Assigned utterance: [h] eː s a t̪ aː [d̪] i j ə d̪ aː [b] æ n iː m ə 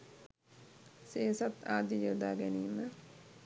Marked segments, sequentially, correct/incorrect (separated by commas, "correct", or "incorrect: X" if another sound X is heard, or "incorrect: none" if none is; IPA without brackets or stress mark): incorrect: s, correct, incorrect: ɡ